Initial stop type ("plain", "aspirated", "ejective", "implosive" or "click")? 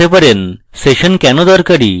plain